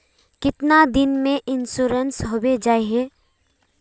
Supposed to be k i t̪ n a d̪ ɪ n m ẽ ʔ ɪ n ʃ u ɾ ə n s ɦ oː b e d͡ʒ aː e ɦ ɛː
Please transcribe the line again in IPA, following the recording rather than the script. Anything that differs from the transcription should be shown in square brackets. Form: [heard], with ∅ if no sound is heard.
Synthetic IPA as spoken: k [ɪ] t̪ n a d̪ ɪ n m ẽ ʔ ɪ n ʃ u ɾ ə n s ɦ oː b e d͡ʒ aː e ɦ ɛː